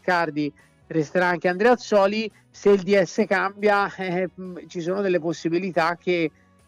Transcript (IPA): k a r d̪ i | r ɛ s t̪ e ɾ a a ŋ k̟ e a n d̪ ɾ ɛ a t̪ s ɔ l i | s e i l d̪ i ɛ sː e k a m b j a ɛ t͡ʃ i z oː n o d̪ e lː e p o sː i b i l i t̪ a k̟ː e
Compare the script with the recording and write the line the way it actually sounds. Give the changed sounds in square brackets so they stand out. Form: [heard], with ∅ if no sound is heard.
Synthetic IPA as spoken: k a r d̪ i | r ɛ s t̪ e ɾ a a ŋ k̟ e a n d̪ ɾ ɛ a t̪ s [ɔː] l i | s e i l d̪ i ɛ sː e k a m b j a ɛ t͡ʃ i [s] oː n o d̪ e lː e p o sː i b i l i t̪ a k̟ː e